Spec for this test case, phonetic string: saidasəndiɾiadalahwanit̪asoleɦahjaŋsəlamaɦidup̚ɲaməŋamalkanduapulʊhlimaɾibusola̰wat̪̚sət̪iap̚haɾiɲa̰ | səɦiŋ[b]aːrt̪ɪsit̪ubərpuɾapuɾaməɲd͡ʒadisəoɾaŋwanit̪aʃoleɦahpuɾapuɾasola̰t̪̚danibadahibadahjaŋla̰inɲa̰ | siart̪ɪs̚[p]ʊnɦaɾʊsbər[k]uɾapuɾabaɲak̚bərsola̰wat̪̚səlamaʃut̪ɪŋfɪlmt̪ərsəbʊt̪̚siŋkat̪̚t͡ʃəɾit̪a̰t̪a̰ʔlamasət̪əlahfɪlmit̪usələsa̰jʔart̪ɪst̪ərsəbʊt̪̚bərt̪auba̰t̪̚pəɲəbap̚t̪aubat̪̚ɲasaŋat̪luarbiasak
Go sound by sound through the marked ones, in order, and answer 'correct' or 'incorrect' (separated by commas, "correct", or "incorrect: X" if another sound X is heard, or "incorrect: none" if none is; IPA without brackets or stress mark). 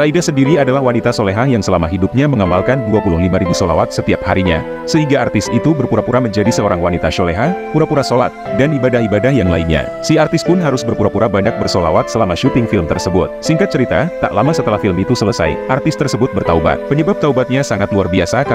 incorrect: ɡ, correct, incorrect: p